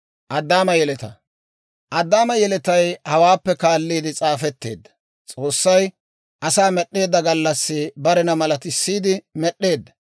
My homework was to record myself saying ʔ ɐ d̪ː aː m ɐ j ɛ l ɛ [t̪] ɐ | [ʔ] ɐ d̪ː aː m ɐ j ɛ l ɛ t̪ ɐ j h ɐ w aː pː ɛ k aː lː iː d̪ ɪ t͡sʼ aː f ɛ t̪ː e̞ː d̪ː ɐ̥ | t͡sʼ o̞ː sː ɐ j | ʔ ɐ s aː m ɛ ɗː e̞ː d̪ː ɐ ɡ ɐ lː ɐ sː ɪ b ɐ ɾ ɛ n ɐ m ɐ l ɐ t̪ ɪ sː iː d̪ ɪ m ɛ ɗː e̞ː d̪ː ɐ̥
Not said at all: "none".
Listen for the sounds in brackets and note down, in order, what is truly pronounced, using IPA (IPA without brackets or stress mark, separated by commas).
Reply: t̪, ʔ